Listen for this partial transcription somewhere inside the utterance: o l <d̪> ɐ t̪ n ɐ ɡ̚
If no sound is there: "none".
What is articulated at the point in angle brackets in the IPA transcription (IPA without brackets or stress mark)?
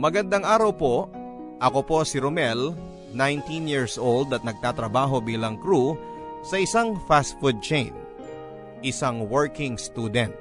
d̪